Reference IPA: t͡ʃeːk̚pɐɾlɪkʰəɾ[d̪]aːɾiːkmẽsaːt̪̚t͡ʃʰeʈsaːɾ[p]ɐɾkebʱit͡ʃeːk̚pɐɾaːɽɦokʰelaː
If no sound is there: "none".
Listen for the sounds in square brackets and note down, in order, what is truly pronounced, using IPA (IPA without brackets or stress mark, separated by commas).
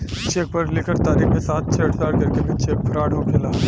t̪, k